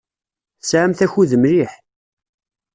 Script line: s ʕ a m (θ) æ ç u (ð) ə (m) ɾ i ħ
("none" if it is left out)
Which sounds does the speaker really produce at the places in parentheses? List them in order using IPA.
θ, ð, m

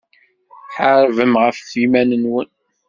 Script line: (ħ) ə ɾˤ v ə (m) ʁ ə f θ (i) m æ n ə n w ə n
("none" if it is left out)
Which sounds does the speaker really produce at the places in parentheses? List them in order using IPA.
ħ, m, i

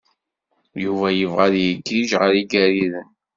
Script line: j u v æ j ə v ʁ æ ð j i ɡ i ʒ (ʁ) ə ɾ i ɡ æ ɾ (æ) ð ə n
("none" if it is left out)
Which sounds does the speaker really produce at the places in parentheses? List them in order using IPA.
ʁ, i

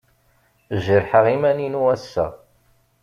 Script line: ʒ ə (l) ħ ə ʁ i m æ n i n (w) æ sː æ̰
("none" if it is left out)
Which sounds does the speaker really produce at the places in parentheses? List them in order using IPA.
ɾ, u

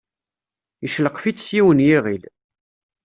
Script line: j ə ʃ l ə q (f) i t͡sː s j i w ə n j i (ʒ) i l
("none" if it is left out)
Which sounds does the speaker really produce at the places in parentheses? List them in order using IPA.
f, ʁ

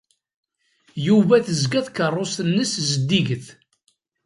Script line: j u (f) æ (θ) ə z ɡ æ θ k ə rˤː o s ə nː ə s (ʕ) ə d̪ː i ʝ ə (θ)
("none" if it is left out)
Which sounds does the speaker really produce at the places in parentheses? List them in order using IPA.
v, θ, z, θ

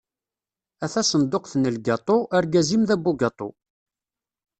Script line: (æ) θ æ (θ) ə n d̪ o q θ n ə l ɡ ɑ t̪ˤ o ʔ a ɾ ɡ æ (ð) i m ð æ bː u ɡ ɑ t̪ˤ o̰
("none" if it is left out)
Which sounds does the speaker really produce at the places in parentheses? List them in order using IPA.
æ, s, z

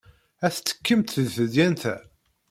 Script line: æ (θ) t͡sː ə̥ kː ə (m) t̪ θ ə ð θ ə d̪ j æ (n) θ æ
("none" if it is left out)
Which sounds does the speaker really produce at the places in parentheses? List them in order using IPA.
θ, m, n

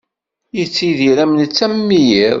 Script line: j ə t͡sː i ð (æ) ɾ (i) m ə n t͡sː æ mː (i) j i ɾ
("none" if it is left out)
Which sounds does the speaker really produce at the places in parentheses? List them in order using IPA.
i, æ, i

